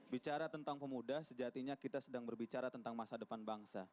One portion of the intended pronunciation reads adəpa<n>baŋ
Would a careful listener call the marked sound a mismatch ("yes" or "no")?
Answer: no